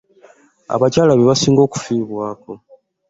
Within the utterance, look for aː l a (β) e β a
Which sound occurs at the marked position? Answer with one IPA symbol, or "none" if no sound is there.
β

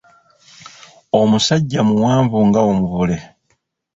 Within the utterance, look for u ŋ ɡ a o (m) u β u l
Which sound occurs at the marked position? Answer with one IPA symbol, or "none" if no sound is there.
m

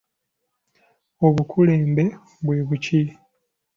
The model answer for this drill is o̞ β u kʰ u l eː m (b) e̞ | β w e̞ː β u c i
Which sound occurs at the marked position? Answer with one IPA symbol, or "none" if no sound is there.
b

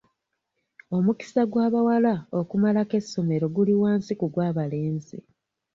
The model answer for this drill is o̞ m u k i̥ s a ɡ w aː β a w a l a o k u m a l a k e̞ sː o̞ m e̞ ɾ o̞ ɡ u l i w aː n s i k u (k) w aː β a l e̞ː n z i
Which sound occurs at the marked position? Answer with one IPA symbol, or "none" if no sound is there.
ɡ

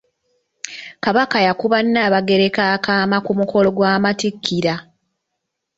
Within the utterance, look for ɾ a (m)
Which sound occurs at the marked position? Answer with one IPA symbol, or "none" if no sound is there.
none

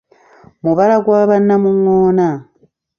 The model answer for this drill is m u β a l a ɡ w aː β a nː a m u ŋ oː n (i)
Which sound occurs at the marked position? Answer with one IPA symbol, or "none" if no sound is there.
a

